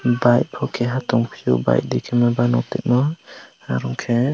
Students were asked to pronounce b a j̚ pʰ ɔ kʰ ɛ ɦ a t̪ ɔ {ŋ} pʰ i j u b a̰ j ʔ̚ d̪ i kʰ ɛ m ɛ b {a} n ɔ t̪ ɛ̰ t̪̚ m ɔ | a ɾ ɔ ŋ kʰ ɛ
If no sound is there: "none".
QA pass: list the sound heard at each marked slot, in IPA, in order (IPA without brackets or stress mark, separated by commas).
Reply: ŋ, a